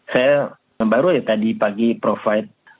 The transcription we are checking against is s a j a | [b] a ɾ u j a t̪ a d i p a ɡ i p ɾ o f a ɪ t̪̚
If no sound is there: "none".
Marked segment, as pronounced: b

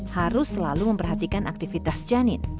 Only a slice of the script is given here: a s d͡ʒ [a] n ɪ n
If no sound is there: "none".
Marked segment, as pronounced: a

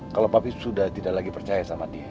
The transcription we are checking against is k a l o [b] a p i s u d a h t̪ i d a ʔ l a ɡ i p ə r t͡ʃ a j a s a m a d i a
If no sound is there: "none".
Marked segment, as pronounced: p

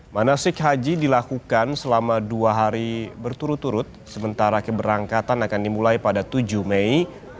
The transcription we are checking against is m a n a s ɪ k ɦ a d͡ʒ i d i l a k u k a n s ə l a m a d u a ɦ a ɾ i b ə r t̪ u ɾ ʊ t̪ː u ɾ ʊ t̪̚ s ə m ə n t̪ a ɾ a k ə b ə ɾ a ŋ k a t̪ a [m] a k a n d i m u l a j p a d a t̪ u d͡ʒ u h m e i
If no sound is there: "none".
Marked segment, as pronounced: n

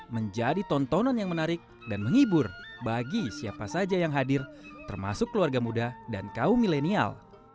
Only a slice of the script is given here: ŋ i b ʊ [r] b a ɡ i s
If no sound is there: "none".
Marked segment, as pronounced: r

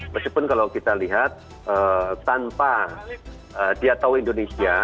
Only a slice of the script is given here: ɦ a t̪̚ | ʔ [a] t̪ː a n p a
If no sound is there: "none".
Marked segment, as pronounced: ə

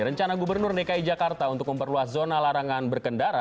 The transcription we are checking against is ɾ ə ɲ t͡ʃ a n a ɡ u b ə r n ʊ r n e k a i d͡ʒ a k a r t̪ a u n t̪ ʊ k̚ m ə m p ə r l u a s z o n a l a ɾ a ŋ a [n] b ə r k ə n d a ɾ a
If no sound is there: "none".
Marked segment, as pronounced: n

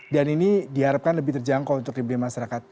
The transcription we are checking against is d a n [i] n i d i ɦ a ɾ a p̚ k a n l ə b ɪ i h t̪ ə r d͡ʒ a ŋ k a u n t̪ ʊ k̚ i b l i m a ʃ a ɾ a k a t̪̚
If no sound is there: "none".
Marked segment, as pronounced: i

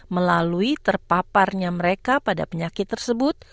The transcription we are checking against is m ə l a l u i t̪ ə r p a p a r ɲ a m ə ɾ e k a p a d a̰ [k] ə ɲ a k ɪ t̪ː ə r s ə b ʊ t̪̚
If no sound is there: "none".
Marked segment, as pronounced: p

